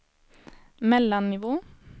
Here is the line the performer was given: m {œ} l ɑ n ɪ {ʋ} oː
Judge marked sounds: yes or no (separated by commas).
no, yes